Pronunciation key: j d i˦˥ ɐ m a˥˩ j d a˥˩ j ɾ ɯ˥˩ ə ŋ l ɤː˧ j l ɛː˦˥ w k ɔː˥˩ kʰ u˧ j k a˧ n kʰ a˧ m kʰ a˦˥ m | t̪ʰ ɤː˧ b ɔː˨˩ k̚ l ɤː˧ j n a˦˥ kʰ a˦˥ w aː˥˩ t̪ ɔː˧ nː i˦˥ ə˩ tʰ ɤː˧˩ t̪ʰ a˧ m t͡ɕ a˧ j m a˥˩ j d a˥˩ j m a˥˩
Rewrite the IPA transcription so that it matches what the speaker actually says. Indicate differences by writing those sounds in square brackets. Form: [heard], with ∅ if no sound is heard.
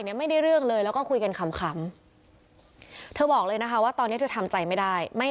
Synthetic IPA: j [n] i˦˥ ɐ m a˥˩ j d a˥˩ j ɾ ɯ˥˩ ə ŋ l ɤː˧ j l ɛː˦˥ w k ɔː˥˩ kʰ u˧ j k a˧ n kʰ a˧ m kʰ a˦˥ m | t̪ʰ ɤː˧ b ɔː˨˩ k̚ l ɤː˧ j n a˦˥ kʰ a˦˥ w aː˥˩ t̪ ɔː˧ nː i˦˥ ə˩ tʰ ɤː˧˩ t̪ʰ a˧ m t͡ɕ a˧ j m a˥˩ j d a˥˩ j m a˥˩